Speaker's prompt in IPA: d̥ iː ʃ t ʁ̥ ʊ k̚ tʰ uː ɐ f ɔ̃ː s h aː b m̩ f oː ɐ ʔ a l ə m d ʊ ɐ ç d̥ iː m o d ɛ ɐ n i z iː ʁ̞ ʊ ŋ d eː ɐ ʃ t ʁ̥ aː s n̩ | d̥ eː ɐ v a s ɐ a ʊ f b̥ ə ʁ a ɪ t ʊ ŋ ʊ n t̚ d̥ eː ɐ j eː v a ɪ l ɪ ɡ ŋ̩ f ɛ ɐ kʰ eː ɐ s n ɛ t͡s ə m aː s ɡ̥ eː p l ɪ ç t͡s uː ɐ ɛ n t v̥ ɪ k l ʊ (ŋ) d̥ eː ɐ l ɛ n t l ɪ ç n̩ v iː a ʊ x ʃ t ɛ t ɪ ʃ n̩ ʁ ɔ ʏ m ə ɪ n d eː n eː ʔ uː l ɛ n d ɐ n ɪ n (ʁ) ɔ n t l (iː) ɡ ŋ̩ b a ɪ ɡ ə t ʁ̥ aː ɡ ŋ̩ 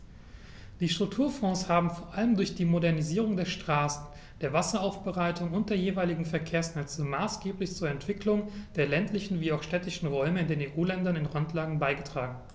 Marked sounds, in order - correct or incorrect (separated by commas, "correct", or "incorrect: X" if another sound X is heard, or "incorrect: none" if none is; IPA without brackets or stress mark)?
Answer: correct, correct, incorrect: aː